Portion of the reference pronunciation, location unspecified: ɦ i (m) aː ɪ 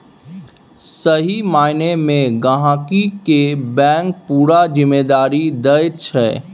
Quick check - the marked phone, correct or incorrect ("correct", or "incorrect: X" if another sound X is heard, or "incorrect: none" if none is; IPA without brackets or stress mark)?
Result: correct